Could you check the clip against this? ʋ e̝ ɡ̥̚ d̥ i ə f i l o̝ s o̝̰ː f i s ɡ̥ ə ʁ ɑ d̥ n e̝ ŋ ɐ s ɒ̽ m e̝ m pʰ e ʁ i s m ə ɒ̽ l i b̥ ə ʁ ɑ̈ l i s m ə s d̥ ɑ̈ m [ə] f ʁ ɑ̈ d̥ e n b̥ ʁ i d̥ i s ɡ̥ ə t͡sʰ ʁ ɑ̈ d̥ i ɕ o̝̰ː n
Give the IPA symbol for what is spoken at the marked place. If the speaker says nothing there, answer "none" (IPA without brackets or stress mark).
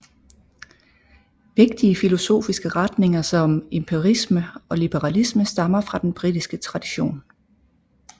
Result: ɐ